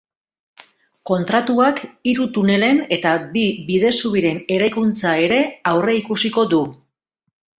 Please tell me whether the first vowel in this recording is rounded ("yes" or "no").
yes